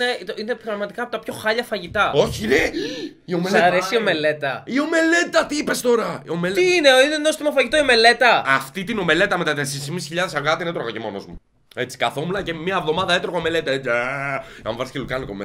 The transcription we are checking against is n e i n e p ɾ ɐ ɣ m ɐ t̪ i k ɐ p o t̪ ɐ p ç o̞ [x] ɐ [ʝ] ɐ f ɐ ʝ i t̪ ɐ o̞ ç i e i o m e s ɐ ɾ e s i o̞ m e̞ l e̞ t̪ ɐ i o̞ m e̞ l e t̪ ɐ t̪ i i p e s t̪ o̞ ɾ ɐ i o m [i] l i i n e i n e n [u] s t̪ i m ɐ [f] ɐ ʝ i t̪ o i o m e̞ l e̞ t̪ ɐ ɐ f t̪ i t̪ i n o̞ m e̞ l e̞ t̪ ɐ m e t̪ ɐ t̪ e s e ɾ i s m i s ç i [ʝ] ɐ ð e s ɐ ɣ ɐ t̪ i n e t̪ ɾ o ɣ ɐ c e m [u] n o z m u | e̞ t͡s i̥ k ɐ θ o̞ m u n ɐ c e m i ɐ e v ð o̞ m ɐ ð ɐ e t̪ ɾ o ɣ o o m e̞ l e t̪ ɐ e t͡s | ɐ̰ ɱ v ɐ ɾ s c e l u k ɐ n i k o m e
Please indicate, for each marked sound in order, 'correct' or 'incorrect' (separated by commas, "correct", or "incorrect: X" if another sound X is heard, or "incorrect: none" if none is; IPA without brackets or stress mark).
correct, incorrect: ʎ, incorrect: e, incorrect: o, correct, incorrect: ʎ, incorrect: o